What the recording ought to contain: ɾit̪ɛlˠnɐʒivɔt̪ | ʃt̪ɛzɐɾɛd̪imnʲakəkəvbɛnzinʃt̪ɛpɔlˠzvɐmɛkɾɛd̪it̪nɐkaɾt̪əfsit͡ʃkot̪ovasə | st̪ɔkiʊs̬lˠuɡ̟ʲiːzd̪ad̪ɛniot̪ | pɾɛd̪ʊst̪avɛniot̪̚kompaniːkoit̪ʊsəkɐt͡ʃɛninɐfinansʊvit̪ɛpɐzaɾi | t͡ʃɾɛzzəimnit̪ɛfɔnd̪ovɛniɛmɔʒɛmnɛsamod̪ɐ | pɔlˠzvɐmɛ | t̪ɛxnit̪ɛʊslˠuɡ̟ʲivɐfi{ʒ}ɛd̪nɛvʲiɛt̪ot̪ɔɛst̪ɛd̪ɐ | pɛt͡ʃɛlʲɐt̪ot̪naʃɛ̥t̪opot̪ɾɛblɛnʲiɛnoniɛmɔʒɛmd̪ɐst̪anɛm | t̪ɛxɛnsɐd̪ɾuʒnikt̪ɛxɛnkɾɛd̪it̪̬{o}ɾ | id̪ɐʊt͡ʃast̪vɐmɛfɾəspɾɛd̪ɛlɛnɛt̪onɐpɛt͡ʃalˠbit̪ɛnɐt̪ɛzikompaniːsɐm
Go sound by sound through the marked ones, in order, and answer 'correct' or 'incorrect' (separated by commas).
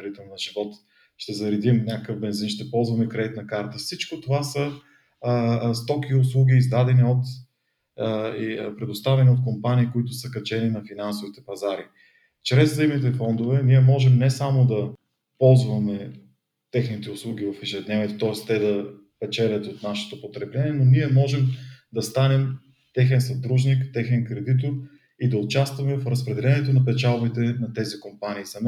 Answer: correct, correct